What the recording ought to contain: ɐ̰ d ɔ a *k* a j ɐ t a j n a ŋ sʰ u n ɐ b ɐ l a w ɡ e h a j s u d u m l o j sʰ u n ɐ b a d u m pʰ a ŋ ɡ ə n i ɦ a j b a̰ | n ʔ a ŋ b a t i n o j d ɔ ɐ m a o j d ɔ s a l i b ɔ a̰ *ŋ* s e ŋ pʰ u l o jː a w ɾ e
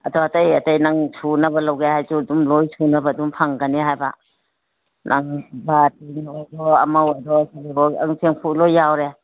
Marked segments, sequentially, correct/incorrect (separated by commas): incorrect, correct